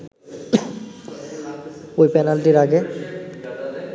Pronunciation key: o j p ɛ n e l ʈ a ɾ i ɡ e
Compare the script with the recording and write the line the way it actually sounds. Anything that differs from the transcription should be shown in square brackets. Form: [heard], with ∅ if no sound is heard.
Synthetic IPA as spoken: o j p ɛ n [a] l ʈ [i] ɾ [a] ɡ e